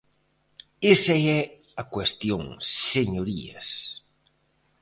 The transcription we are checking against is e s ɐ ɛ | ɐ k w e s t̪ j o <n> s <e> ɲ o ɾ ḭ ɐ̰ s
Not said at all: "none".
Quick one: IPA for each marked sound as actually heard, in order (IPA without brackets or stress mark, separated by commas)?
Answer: ŋ, e